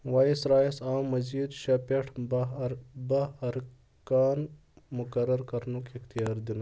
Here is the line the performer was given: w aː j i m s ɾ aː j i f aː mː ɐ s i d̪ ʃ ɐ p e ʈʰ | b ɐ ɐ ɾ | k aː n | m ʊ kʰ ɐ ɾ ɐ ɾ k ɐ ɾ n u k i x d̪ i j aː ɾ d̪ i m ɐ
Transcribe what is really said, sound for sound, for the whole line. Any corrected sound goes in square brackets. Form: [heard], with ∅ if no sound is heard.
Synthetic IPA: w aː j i [∅] s ɾ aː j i [s] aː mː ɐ [z] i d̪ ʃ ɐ p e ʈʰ | b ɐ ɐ ɾ | k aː n | m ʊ [k] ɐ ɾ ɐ ɾ k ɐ ɾ n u k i x [t̪] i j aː ɾ d̪ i [n] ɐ

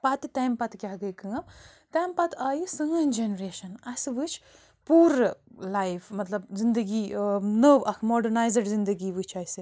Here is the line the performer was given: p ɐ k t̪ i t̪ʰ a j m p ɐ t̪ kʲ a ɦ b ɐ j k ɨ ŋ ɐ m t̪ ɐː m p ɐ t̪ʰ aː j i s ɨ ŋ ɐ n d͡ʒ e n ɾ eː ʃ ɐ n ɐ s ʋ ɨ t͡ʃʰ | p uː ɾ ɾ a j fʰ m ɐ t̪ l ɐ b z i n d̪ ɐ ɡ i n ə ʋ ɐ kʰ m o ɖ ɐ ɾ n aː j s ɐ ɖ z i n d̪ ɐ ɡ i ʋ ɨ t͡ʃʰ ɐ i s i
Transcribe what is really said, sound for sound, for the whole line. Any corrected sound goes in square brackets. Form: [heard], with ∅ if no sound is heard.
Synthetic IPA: p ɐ [∅] t̪ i [t̪] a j m p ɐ t̪ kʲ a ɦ [ɡ] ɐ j k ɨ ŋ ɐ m t̪ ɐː m p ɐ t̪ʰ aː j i s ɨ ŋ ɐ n d͡ʒ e n ɾ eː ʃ ɐ n ɐ s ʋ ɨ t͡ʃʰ | p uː ɾ [l] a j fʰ m ɐ t̪ l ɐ b z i n d̪ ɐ ɡ i n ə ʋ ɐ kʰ m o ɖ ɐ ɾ n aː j [z] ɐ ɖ z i n d̪ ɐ ɡ i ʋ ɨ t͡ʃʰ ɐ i s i

